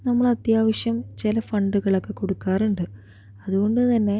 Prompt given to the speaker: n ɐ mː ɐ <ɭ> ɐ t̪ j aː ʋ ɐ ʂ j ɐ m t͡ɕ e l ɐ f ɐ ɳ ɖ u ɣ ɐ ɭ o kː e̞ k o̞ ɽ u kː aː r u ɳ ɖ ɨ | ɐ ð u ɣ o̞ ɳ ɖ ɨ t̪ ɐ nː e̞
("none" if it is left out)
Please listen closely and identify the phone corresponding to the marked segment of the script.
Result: ɭ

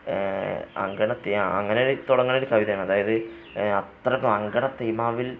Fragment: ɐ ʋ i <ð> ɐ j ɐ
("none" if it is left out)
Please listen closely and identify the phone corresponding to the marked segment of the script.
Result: ð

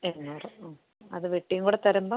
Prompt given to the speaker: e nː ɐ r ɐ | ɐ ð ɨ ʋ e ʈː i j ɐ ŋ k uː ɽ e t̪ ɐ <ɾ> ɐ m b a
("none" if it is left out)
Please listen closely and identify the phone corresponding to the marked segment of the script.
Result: ɾ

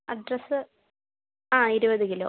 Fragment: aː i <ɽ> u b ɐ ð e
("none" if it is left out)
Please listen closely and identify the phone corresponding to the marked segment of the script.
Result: ɾ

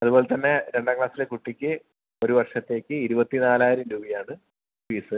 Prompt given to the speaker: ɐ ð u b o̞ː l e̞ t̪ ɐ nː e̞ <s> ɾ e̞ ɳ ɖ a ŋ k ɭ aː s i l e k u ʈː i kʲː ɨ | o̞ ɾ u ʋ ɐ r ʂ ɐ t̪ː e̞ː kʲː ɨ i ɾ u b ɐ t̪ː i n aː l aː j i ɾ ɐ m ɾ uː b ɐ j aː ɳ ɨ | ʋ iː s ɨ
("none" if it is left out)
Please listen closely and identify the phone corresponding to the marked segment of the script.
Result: none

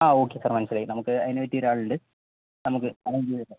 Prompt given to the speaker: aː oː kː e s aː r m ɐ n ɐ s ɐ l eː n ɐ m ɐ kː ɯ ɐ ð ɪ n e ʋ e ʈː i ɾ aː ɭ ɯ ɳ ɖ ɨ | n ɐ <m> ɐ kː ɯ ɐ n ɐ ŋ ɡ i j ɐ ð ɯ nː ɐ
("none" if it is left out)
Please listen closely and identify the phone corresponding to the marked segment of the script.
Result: m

